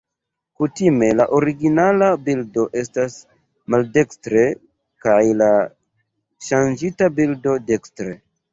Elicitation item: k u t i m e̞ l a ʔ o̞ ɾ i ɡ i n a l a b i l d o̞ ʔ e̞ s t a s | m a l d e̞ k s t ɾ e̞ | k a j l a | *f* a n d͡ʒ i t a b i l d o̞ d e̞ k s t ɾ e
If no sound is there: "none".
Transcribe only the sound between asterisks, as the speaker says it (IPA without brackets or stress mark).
ʃ